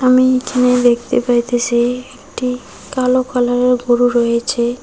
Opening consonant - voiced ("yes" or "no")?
yes